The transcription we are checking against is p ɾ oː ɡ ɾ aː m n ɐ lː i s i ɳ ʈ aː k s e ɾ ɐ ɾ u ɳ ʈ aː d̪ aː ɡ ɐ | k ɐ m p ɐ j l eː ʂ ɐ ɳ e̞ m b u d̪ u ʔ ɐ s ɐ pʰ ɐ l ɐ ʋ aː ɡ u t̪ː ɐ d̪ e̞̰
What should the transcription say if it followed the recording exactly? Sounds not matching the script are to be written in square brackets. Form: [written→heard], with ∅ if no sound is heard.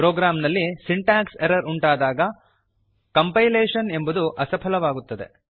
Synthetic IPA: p ɾ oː ɡ ɾ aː m n ɐ lː i s i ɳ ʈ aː k s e ɾ ɐ ɾ u ɳ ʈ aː d̪ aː ɡ ɐ | k ɐ m p ɐ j l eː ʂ ɐ [ɳ→n] e̞ m b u d̪ u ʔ ɐ s ɐ pʰ ɐ l ɐ ʋ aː ɡ u t̪ː ɐ d̪ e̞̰